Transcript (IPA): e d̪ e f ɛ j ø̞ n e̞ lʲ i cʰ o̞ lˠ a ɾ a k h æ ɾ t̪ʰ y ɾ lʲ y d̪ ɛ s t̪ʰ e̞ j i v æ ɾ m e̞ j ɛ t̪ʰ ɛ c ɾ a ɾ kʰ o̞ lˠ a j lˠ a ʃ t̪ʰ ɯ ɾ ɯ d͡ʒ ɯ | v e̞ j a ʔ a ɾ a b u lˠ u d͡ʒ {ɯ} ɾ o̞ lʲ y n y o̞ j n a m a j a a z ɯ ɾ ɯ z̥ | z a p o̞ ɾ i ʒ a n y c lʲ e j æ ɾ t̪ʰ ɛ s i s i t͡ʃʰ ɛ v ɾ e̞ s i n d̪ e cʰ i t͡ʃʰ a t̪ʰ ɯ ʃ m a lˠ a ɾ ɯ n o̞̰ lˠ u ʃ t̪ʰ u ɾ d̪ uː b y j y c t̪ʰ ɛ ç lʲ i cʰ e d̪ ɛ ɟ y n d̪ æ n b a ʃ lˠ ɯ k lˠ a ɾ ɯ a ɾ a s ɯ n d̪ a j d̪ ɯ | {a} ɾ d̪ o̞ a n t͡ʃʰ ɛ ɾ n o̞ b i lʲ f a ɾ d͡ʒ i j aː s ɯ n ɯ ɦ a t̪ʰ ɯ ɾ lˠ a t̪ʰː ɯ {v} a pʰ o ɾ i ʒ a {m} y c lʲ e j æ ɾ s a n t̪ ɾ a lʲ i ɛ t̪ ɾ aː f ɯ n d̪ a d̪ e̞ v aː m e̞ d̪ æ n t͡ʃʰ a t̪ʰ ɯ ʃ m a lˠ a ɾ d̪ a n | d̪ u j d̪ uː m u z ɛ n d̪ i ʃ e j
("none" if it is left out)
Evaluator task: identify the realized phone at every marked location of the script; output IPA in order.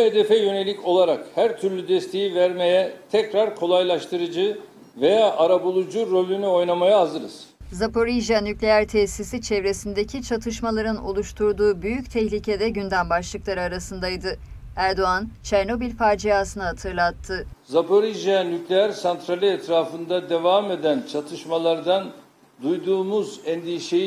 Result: u, æ, z, n

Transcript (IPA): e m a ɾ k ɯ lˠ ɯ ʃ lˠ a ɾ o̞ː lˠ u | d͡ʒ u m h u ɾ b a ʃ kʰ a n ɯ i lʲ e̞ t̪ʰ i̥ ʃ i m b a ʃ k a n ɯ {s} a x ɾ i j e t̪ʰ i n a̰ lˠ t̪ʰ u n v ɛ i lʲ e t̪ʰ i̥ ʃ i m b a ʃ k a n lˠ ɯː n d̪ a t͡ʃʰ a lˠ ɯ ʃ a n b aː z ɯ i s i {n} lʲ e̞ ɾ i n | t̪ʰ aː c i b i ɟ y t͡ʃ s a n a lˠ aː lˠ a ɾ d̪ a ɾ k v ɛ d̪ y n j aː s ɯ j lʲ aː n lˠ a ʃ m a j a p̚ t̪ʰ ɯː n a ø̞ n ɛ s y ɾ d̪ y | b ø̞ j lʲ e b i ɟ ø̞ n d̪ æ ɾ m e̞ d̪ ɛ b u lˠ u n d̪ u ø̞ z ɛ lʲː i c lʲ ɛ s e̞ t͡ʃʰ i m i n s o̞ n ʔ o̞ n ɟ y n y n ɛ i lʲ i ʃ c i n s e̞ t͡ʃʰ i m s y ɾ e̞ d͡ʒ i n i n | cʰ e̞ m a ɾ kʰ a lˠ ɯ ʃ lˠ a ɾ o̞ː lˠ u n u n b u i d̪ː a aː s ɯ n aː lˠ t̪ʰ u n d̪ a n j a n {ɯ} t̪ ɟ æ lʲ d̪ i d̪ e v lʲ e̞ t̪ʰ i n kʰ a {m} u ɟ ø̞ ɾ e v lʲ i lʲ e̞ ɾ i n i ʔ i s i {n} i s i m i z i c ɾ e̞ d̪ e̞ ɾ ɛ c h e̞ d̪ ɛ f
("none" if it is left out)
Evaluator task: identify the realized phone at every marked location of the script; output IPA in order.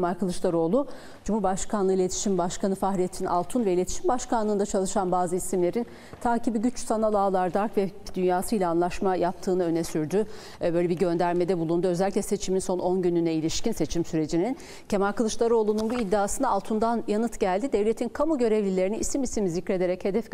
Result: f, m, ɯ, m, m

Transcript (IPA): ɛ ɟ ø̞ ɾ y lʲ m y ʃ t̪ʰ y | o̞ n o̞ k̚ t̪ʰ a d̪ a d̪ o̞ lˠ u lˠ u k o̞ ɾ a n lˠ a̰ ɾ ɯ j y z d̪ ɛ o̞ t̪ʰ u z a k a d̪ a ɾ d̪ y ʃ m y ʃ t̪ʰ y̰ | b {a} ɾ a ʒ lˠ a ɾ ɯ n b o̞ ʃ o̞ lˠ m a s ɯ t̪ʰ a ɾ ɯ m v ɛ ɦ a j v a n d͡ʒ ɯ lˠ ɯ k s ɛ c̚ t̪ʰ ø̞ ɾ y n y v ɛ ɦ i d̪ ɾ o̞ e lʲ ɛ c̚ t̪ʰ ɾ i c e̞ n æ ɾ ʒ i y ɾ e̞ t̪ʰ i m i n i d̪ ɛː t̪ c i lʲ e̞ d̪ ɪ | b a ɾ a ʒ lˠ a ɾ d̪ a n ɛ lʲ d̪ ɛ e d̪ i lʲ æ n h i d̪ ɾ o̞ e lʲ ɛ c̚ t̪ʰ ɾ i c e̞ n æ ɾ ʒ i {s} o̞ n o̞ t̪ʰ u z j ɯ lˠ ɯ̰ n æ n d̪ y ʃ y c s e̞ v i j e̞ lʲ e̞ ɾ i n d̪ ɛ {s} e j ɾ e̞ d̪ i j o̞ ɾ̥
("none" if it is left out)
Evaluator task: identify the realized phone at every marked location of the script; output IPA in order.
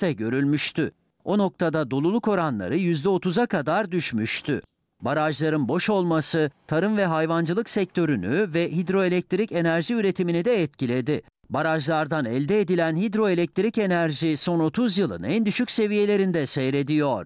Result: a, s, s

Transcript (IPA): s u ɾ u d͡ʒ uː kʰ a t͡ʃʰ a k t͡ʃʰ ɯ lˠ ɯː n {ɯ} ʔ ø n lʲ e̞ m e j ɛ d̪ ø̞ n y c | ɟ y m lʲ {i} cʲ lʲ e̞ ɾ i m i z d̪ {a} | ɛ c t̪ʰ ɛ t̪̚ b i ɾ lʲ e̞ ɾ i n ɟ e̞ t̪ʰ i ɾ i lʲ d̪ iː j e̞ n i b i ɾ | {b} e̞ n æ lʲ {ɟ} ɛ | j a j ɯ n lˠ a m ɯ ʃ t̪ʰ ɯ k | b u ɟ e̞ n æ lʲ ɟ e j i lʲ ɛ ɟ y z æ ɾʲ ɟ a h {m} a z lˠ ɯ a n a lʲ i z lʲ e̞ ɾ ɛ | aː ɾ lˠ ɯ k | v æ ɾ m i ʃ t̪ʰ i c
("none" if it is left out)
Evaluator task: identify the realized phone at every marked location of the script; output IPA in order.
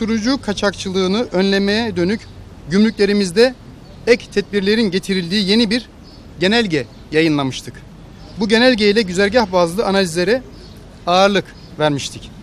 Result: ɯ, y, ɛ, ɟ, ɟ, b

